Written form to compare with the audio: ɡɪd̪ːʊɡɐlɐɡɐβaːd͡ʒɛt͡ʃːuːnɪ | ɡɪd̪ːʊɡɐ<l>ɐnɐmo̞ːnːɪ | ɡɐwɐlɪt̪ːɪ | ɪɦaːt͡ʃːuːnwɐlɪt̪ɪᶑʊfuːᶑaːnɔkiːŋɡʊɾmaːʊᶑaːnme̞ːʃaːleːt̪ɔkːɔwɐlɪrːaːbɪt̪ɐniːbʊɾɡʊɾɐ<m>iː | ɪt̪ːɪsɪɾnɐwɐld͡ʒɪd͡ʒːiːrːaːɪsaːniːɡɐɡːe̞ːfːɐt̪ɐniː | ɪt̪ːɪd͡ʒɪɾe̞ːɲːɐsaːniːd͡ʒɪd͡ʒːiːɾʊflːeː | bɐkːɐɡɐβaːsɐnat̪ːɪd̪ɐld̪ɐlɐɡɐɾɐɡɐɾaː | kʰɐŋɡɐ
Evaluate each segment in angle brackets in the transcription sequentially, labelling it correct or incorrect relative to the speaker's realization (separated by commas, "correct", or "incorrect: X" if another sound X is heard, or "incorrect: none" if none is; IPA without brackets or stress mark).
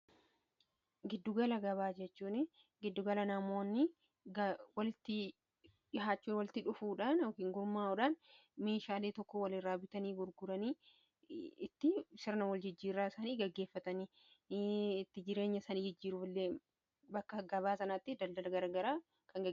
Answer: correct, incorrect: n